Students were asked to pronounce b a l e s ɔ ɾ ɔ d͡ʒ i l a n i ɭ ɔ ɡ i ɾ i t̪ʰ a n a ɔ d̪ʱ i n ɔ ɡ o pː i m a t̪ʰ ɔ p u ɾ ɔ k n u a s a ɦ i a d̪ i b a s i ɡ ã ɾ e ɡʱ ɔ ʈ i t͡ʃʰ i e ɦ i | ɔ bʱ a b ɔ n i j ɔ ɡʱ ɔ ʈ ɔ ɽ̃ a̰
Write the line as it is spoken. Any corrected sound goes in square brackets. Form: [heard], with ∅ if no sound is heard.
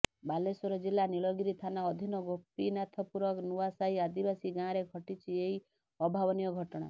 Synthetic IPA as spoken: b a l e s ɔ ɾ ɔ d͡ʒ i l a n i ɭ ɔ ɡ i ɾ i t̪ʰ a n a ɔ d̪ʱ i n ɔ ɡ o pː i [n] a t̪ʰ ɔ p u ɾ ɔ k n u a s a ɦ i a d̪ i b a s i ɡ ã ɾ e ɡʱ ɔ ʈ i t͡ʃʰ i e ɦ i | ɔ bʱ a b ɔ n i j ɔ ɡʱ ɔ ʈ ɔ ɽ̃ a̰